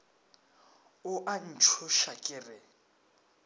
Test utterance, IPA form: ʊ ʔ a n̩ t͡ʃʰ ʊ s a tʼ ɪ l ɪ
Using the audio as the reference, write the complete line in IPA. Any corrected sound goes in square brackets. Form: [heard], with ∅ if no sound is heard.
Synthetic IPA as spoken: ʊ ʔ a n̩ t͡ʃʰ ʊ [ʃ] a [kʼ] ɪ [r] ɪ